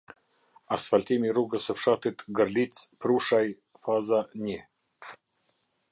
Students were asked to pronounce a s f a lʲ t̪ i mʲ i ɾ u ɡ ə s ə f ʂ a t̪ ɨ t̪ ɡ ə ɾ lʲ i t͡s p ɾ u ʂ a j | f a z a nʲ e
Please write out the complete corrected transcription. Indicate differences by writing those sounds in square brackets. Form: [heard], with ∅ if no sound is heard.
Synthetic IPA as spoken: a s f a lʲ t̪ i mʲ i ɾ u ɡ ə s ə f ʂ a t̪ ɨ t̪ ɡ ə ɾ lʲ i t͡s p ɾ u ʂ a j | f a z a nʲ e